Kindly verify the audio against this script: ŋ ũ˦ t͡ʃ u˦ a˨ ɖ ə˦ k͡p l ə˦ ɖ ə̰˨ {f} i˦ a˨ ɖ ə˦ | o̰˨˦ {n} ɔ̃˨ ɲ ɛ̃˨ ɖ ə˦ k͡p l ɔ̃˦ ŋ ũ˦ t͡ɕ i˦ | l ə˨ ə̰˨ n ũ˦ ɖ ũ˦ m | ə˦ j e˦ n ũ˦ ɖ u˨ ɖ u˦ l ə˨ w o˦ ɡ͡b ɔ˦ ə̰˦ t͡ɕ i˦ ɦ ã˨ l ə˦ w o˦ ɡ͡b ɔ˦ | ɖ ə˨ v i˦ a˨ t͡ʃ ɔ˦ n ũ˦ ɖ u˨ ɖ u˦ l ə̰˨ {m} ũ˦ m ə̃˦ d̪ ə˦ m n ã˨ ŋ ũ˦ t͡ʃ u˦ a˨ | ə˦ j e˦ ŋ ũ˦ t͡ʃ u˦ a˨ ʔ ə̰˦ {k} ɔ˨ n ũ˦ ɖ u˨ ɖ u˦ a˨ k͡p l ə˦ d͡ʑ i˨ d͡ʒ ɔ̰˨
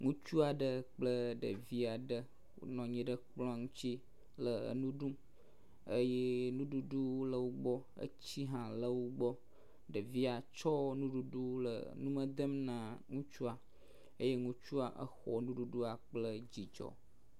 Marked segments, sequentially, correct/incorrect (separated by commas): incorrect, correct, incorrect, incorrect